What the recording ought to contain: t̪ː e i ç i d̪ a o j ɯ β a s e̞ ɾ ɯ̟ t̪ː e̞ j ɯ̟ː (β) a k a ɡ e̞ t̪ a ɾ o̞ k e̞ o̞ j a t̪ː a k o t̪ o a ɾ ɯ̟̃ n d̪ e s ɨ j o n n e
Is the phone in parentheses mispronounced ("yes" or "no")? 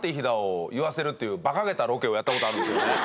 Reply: yes